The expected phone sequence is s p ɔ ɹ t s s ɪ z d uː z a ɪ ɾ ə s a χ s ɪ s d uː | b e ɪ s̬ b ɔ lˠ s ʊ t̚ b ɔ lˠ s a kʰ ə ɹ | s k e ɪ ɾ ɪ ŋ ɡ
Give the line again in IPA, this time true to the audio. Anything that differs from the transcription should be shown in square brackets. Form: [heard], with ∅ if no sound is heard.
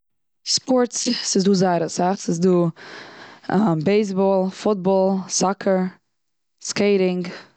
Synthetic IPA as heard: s p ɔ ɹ t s s ɪ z d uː z a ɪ ɾ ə s a χ s ɪ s d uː | b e ɪ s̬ b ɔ lˠ [f] ʊ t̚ b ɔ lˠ s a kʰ ə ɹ | s k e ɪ ɾ ɪ ŋ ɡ